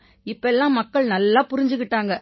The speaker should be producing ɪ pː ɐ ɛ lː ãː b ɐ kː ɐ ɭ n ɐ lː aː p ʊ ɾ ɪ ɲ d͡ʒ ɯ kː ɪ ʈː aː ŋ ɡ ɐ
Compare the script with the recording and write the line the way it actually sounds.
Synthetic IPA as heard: ɪ pː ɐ ɛ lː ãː m ɐ kː ɐ ɭ n ɐ lː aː p ʊ ɾ ɪ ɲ d͡ʒ ɯ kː ɪ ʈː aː ŋ ɡ ɐ